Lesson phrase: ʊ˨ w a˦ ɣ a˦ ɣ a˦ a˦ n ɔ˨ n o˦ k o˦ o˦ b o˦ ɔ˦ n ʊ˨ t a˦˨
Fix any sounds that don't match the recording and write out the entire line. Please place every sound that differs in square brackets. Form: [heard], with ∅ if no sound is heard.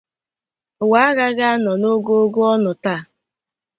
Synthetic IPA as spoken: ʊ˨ w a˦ ɣ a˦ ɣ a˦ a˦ n ɔ˨ n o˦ [ɡ] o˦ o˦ [ɡ] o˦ ɔ˦ n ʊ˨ t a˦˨